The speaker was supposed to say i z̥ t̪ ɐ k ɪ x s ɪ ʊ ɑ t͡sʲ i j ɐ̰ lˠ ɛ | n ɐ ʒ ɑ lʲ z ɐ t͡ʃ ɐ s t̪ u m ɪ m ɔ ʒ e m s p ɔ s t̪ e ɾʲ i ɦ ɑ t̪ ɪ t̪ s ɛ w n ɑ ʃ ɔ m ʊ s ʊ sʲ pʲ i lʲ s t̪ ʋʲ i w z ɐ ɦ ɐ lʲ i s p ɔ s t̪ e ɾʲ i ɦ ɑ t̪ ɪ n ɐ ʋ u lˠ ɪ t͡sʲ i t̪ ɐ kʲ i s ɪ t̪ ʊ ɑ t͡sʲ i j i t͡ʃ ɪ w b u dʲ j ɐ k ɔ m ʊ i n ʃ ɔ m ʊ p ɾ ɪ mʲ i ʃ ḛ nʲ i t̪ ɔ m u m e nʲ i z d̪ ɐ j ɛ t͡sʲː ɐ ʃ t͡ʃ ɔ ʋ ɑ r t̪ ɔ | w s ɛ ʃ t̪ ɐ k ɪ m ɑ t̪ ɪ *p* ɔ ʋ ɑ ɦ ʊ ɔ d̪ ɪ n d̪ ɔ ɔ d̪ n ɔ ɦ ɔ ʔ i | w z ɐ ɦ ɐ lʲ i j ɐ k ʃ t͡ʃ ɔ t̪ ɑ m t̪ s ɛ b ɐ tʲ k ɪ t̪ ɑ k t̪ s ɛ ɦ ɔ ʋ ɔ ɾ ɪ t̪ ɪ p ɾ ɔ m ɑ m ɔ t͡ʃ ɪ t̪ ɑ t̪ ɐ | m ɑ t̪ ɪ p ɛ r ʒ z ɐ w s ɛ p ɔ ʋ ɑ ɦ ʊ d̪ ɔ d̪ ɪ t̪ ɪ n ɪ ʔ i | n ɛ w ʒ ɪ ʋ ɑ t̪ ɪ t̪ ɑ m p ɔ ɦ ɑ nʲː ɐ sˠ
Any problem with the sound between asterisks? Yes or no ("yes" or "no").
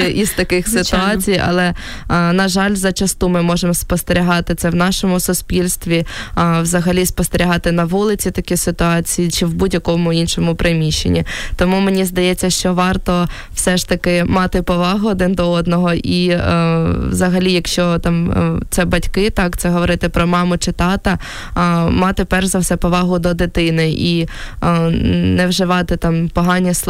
no